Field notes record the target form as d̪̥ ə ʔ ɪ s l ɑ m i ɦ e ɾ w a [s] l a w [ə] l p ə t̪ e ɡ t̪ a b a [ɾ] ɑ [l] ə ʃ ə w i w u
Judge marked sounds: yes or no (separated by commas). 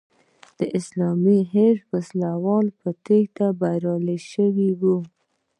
yes, no, yes, yes